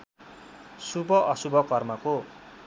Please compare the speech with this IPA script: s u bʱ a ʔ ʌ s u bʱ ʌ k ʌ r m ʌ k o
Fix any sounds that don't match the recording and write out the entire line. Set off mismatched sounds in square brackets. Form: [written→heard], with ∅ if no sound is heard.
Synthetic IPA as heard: s u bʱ [a→ʌ] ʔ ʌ s u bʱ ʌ k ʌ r m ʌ k o